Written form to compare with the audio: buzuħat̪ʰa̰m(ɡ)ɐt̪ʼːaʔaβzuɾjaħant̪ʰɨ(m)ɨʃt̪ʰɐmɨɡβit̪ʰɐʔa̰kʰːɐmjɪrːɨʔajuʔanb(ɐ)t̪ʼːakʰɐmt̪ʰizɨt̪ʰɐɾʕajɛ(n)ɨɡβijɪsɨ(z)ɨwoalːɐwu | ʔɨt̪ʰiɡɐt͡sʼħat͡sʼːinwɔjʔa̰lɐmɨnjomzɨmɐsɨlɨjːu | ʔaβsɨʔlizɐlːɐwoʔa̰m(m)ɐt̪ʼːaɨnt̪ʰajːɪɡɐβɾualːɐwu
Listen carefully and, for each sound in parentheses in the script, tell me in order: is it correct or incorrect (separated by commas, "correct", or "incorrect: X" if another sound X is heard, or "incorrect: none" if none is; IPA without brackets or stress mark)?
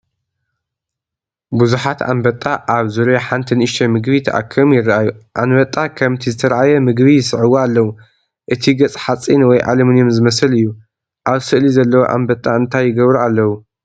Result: incorrect: b, incorrect: n, correct, incorrect: m, incorrect: ʕ, incorrect: b